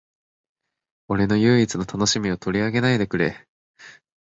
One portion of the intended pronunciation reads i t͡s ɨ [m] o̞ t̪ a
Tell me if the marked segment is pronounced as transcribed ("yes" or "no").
no